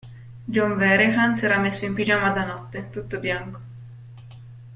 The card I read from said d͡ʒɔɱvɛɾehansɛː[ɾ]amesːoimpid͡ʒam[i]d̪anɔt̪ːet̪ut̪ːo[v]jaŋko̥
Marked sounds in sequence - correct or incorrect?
correct, incorrect, incorrect

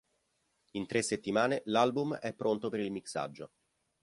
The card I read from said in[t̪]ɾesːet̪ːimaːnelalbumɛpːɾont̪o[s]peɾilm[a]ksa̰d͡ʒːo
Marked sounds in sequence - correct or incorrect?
correct, incorrect, incorrect

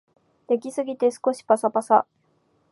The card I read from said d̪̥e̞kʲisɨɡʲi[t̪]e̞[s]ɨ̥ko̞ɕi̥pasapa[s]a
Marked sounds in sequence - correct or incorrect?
correct, correct, correct

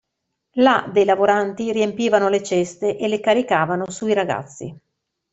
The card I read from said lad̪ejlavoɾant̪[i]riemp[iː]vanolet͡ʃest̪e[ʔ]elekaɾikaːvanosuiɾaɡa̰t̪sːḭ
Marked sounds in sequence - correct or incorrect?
correct, correct, correct

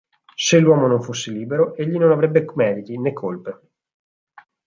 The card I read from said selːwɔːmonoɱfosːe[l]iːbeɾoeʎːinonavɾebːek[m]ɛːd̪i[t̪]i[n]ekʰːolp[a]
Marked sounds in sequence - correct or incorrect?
correct, correct, correct, correct, incorrect

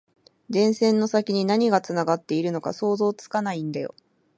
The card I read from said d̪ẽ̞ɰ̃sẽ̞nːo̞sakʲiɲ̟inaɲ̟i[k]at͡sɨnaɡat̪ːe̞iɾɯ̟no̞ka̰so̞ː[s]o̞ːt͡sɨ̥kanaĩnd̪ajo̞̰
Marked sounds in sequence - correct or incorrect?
incorrect, incorrect

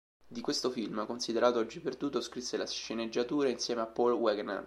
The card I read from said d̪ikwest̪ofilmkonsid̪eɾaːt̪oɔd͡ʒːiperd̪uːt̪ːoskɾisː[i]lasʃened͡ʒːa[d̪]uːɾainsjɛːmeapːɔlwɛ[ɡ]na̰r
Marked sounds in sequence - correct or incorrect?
incorrect, incorrect, correct

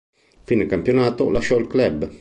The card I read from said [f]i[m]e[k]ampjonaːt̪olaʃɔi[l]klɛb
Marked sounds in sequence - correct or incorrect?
correct, incorrect, correct, correct

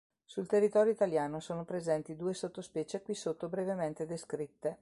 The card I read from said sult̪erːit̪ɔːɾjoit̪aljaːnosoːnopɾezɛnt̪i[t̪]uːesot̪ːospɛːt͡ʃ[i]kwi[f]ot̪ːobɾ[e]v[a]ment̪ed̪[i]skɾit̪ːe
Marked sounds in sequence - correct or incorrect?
incorrect, incorrect, incorrect, correct, incorrect, incorrect

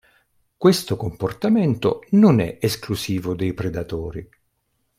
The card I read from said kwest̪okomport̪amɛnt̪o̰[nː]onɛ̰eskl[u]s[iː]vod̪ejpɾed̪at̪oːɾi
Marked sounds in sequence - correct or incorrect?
incorrect, correct, correct

